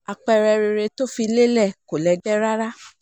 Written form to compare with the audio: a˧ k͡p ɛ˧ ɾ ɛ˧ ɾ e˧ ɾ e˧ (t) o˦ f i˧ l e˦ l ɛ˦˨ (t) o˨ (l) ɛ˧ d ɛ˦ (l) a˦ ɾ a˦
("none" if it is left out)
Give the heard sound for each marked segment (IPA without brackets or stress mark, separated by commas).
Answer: t, k, l, ɾ